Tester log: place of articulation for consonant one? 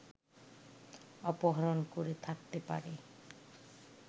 labial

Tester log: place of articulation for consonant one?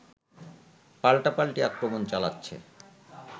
labial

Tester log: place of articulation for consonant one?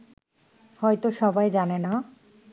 glottal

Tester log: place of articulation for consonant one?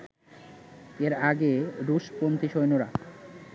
alveolar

